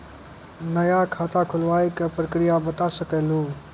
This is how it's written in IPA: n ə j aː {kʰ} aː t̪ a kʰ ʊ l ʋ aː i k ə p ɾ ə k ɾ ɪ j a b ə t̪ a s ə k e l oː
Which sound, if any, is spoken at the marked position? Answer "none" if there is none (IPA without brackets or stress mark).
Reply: kʰ